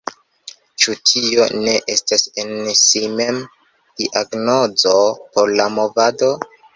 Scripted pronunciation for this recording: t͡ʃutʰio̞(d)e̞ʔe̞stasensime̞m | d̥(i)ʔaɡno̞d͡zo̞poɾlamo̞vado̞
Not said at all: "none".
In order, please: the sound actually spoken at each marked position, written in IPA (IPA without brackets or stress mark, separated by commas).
n, i